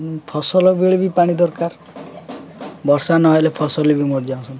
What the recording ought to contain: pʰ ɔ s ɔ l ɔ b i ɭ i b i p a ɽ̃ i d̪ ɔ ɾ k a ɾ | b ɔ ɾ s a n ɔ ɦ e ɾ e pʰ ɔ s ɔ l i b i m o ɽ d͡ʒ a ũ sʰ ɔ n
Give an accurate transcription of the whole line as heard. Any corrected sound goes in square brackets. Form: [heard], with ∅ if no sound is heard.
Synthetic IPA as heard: pʰ ɔ s ɔ l ɔ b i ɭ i b i p a ɽ̃ i d̪ ɔ ɾ k a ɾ | b ɔ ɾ s a n ɔ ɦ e [l] e pʰ ɔ s ɔ l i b i m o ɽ d͡ʒ a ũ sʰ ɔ n

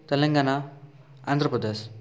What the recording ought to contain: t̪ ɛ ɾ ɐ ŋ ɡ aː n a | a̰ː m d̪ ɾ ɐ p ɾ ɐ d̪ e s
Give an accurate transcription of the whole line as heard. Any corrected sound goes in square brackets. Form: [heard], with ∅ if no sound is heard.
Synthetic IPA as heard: t̪ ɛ [l] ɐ ŋ ɡ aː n a | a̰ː [n] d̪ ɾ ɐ p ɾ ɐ d̪ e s

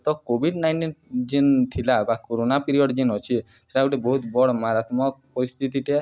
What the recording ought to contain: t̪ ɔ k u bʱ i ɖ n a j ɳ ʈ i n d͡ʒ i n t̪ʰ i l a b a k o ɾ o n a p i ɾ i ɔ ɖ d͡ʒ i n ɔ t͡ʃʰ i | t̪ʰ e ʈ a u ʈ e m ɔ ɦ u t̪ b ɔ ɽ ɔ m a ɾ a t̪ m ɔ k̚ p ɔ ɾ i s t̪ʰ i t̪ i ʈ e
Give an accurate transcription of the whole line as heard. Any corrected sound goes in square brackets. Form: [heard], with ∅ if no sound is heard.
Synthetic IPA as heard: t̪ ɔ k [o] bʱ i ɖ n a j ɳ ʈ i n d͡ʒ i n t̪ʰ i l a b a k o ɾ o n a p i ɾ i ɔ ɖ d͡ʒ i n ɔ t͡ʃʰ i | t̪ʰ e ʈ a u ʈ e [b] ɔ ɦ u t̪ b ɔ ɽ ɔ m a ɾ a t̪ m ɔ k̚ p ɔ ɾ i s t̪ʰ i t̪ i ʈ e

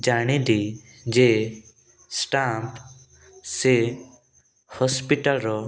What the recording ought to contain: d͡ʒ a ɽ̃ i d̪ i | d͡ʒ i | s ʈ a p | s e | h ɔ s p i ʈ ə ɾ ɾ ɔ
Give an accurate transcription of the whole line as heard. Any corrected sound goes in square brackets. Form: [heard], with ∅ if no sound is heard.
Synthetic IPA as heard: d͡ʒ a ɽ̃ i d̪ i | d͡ʒ [e] | s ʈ a p | s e | h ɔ s p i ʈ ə [l] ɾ ɔ

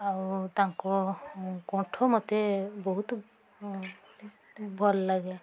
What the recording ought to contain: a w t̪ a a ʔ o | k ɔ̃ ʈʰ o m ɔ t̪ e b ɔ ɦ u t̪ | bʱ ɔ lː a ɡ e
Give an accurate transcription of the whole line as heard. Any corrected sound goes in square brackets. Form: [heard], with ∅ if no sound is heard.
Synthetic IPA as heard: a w t̪ a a [k] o | k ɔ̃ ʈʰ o m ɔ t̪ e b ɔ ɦ u t̪ | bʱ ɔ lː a ɡ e

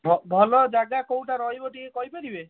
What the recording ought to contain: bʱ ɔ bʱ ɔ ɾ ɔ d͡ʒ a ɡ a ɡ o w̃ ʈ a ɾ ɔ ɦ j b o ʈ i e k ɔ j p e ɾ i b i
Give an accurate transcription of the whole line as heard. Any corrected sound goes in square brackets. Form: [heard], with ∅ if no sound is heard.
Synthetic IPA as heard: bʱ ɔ bʱ ɔ [l] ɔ d͡ʒ a ɡ a [k] o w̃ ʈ a ɾ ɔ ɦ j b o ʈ i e k ɔ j p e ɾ i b [e]

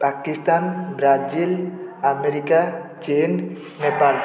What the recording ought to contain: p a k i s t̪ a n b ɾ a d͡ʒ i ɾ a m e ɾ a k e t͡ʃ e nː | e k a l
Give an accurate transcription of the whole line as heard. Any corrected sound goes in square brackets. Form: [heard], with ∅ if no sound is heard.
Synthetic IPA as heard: p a k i s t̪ a n b ɾ a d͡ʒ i [l] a m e ɾ [i] k [a] t͡ʃ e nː | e [p] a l

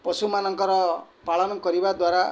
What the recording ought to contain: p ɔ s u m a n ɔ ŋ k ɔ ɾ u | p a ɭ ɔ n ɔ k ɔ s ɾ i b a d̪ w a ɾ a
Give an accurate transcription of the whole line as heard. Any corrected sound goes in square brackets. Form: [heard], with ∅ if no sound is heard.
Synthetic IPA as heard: p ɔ s u m a n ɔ ŋ k ɔ ɾ [ɔ] | p a ɭ ɔ n ɔ k ɔ [∅] ɾ i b a d̪ w a ɾ a

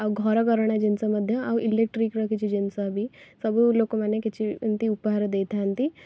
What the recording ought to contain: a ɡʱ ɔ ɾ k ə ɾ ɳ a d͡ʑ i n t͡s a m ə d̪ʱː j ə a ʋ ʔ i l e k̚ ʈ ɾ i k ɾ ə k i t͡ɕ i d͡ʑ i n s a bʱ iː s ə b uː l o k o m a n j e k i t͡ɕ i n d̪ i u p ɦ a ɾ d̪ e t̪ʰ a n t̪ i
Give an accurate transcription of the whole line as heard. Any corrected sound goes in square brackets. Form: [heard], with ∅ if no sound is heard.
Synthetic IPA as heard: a ɡʱ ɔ ɾ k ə ɾ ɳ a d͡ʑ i n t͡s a m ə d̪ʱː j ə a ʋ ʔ i l e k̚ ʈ ɾ i k ɾ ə k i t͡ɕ i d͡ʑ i n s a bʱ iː s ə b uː l o k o m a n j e k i t͡ɕ i n [t̪] i u p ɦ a ɾ d̪ e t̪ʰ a n t̪ i

